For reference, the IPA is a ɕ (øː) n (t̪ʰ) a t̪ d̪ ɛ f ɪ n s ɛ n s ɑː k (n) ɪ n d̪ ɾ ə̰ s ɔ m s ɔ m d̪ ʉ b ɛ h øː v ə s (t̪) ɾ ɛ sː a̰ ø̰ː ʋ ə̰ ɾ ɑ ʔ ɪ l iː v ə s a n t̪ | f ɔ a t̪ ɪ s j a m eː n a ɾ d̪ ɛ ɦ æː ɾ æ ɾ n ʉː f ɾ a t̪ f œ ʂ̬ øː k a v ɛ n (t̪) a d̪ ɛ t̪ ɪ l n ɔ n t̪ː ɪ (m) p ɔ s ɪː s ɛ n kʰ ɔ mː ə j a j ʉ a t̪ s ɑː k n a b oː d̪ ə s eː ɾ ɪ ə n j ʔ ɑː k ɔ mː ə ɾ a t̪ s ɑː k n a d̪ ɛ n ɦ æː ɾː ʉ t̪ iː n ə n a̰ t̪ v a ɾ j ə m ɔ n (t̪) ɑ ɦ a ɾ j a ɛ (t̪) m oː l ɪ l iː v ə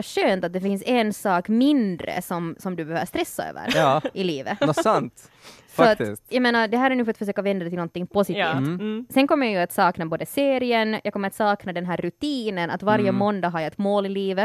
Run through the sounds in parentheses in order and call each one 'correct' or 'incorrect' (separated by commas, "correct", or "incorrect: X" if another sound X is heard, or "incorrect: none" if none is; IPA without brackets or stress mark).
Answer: correct, incorrect: t̪, incorrect: m, correct, incorrect: d̪, incorrect: ŋ, incorrect: d̪, correct